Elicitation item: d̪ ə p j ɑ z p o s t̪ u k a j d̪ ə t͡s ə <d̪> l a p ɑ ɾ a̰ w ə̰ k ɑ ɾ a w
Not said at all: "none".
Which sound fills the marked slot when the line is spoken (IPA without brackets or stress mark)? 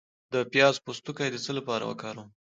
none